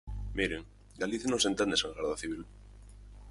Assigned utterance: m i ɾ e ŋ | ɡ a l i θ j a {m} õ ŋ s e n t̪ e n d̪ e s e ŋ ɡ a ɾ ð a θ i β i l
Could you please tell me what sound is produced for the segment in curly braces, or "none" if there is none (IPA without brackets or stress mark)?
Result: n